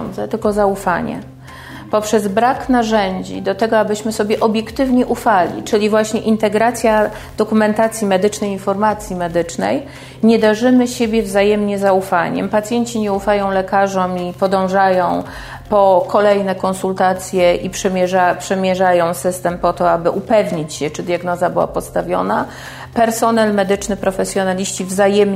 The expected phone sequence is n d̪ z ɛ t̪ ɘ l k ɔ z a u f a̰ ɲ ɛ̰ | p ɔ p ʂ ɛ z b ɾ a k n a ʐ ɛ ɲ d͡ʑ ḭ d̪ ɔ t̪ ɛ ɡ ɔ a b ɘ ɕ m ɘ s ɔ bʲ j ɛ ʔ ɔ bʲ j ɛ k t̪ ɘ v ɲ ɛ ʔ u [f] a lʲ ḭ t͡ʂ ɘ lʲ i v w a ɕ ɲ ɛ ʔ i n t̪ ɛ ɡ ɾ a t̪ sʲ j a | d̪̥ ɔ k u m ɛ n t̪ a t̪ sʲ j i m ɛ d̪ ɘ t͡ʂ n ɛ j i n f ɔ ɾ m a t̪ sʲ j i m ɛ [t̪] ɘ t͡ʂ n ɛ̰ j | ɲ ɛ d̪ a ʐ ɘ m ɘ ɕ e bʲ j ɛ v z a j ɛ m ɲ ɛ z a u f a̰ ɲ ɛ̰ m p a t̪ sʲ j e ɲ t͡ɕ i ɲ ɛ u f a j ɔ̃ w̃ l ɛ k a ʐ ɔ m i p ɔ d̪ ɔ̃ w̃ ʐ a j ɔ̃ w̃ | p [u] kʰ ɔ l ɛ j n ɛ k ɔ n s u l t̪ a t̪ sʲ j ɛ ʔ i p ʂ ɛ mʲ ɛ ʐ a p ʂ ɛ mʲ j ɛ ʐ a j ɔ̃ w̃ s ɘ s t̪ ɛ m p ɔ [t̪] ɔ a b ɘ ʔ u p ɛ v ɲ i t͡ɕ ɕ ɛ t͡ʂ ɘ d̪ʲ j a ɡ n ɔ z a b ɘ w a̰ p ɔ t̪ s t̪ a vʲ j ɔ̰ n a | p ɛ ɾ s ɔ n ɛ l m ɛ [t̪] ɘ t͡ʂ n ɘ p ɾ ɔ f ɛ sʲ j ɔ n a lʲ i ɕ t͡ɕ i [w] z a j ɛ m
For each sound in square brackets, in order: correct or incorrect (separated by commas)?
correct, incorrect, incorrect, correct, incorrect, incorrect